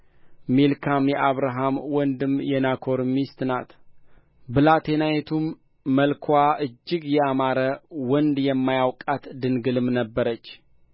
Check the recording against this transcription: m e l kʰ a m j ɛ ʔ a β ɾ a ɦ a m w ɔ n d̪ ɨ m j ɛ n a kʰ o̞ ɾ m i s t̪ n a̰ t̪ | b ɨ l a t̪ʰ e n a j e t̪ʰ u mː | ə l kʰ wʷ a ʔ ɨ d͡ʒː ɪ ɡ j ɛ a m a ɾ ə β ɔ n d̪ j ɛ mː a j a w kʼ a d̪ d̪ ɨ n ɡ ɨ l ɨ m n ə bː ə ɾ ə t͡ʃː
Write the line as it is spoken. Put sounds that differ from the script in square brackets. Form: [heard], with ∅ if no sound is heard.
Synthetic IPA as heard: m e l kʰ a m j ɛ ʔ a β ɾ a ɦ a m w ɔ n d̪ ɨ m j ɛ n a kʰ o̞ ɾ m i s t̪ n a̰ t̪ | b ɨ l a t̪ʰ e n a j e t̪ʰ u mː | ə l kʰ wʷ a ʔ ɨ d͡ʒː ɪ ɡ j ɛ a m a ɾ ə [w] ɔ n d̪ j ɛ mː a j a w kʼ a [t̪] d̪ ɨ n ɡ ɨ l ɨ m n ə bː ə ɾ ə t͡ʃː